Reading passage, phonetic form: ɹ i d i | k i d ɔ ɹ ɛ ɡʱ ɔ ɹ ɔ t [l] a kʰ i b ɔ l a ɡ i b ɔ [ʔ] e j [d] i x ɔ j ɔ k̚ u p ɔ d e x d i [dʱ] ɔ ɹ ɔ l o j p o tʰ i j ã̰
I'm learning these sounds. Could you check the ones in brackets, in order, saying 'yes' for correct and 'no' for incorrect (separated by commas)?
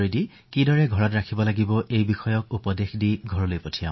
no, yes, no, no